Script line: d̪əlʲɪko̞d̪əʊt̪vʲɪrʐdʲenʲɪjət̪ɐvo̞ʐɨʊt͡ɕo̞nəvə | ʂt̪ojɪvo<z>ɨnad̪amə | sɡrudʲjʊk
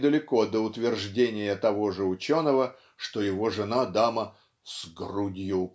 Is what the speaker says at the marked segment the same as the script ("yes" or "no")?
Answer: no